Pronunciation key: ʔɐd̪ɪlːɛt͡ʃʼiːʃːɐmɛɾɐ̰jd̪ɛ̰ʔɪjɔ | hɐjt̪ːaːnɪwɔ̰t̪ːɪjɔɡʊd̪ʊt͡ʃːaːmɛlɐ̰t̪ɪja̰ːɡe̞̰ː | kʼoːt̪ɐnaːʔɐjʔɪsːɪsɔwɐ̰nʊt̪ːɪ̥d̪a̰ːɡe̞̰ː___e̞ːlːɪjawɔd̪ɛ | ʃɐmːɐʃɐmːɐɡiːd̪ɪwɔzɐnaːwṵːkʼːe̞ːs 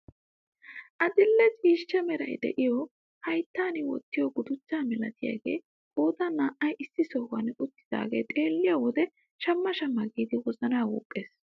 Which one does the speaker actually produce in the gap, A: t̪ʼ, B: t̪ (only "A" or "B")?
A